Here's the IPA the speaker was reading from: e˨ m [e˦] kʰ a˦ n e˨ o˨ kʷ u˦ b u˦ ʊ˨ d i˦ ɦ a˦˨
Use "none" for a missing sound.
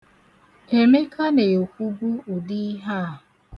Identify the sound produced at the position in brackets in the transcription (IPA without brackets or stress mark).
e˦